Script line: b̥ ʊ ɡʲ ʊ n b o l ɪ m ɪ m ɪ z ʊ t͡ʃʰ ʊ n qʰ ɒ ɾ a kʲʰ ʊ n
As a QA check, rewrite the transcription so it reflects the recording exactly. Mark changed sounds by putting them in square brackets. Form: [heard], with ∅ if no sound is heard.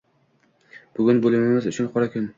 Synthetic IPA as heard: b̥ ʊ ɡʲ ʊ n b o l ɪ m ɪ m ɪ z ʊ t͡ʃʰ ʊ n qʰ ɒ ɾ a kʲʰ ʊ n